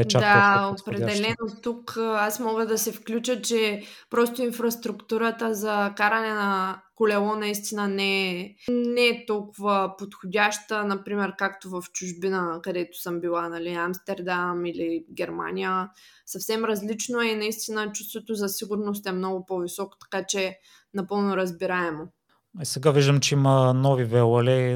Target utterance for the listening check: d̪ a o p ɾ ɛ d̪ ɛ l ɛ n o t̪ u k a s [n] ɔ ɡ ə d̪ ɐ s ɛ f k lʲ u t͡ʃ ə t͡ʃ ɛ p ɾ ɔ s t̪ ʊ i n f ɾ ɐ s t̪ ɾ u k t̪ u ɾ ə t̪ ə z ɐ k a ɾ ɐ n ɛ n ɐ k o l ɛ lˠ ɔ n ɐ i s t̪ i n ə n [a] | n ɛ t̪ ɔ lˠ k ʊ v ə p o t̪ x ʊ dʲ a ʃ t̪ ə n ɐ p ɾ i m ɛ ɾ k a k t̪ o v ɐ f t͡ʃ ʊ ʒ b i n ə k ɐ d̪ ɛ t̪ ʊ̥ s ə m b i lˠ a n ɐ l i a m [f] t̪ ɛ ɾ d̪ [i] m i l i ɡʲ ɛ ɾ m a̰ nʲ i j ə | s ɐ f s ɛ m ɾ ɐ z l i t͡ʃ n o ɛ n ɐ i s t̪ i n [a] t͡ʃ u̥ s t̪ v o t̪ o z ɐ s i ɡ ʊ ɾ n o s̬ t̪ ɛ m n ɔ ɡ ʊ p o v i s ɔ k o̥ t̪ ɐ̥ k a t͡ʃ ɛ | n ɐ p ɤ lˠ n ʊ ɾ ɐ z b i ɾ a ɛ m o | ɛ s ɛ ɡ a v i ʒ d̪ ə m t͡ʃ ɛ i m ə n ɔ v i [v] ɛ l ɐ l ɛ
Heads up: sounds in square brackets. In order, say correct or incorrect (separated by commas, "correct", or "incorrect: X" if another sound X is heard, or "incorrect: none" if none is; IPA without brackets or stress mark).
incorrect: m, incorrect: ɛ, incorrect: s, incorrect: a, incorrect: ə, correct